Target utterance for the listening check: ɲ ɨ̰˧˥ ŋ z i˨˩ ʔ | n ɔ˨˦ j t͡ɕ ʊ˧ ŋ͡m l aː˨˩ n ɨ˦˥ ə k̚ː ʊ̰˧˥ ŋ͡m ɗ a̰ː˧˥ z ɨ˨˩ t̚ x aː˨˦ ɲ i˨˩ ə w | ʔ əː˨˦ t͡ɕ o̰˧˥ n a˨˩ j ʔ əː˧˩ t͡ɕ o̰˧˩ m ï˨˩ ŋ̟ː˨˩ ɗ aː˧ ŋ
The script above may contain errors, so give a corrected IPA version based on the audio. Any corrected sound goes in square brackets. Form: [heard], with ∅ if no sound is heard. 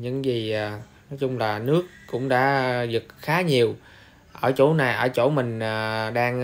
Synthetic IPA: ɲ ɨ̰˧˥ ŋ z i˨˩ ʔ | n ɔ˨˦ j t͡ɕ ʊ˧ ŋ͡m l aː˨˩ n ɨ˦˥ ə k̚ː ʊ̰˧˥ ŋ͡m ɗ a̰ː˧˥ z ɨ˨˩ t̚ x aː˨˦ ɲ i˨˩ ə w | ʔ [əː˧˩] t͡ɕ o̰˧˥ n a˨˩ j ʔ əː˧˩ t͡ɕ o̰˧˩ m ï˨˩ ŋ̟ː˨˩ ɗ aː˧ ŋ